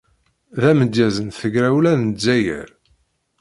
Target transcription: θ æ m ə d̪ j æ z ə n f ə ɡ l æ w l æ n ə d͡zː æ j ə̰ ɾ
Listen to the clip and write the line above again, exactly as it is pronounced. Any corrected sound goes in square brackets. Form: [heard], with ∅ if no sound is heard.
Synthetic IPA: [ð] æ m ə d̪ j æ z ə n [θ] ə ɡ [ɾ] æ w l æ n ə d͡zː æ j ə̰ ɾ